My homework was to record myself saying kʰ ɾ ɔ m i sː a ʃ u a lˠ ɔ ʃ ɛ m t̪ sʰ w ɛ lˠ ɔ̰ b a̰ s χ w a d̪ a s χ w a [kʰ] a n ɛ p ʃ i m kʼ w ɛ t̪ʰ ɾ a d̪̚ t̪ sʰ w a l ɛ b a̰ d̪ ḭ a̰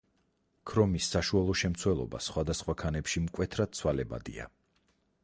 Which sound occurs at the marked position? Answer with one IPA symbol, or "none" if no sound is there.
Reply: kʰ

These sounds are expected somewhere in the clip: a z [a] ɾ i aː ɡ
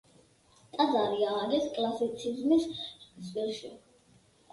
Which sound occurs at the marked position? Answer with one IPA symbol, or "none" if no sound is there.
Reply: a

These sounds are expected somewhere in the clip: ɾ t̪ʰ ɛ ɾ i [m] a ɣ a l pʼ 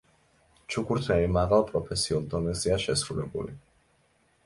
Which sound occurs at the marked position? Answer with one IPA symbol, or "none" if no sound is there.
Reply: m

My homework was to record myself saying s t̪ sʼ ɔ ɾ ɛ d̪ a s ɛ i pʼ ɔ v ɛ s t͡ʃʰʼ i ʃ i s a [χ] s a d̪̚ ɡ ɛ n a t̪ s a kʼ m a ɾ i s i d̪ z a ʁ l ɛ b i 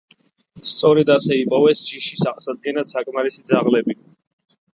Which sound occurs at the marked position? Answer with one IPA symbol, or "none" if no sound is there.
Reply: χ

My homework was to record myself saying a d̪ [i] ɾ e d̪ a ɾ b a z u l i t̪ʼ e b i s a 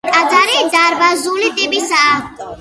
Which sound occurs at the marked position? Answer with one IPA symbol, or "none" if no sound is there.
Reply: a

